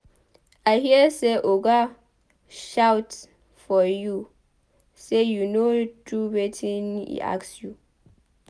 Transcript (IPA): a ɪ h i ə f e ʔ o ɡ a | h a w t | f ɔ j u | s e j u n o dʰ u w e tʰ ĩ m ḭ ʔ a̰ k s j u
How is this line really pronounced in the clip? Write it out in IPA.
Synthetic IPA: a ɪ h i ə s e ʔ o ɡ a | ʃ a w t | f ɔ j u | s e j u n o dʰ u w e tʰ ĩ n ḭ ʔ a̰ k s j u